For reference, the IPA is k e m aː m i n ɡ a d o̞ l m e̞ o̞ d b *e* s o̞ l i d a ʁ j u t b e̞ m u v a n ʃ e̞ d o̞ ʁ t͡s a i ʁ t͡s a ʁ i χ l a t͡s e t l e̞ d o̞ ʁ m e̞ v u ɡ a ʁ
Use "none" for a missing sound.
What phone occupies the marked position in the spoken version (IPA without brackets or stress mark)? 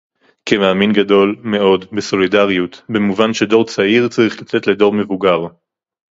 e